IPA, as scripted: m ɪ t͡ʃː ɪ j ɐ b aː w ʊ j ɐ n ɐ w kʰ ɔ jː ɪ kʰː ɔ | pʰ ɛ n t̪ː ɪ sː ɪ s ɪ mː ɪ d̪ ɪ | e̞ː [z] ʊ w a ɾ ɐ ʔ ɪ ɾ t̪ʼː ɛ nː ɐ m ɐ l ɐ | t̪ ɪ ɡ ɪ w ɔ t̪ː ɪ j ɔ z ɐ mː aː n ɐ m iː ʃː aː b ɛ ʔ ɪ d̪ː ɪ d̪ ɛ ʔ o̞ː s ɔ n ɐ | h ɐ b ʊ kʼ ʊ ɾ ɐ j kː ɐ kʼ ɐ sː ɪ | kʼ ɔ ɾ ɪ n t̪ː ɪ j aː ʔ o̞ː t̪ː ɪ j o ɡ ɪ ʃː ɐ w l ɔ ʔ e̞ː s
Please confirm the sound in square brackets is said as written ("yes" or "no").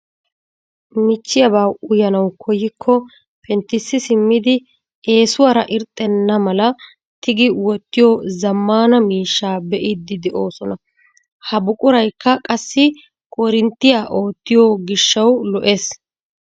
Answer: no